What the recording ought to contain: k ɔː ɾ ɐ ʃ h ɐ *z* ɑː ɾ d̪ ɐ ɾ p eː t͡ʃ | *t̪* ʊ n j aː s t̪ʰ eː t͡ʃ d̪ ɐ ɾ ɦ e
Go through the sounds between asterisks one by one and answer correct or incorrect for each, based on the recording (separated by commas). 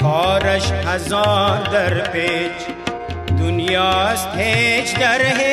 correct, incorrect